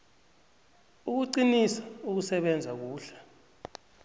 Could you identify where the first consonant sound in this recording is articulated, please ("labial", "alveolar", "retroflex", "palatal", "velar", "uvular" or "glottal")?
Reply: velar